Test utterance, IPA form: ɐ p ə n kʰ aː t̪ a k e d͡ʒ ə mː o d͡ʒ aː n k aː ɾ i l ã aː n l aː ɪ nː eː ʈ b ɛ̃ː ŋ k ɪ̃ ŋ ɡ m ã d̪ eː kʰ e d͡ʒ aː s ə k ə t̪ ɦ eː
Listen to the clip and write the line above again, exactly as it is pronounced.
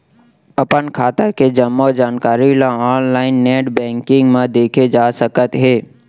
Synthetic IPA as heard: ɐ p ə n kʰ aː t̪ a k e d͡ʒ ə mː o d͡ʒ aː n k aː ɾ i l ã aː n l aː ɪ nː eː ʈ b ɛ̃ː ŋ k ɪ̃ ŋ ɡ m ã d̪ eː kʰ e d͡ʒ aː s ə k ə t̪ ɦ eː